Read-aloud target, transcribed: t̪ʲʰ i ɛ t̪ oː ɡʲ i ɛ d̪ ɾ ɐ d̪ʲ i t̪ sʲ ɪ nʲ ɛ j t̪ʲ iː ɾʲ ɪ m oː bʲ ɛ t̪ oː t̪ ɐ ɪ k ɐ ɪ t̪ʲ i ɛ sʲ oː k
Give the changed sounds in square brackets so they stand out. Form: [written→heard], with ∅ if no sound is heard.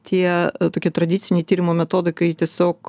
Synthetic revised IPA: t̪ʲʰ i ɛ t̪ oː [ɡʲ→kʲ] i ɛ [d̪→t̪] ɾ ɐ d̪ʲ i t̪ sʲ ɪ nʲ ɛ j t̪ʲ iː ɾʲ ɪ m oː [bʲ→mʲ] ɛ t̪ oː [t̪→d̪] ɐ ɪ k ɐ ɪ t̪ʲ i ɛ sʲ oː k